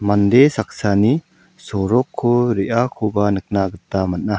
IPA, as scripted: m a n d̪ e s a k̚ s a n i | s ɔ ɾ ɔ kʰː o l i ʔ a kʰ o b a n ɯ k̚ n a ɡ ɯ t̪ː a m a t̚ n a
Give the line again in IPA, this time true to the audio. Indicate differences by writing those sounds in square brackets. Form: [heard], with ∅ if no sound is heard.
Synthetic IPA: m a n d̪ e s a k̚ s a n i | s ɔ ɾ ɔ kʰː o [ɾ] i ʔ a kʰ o b a n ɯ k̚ n a ɡ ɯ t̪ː a m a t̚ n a